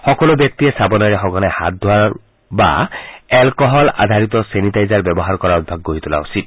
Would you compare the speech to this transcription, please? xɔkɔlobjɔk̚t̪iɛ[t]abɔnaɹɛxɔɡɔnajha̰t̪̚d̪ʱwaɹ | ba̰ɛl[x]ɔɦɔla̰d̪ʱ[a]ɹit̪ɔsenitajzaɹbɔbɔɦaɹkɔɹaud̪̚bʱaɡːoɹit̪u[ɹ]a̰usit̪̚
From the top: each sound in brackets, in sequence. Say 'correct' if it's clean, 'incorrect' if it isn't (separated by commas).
incorrect, incorrect, correct, incorrect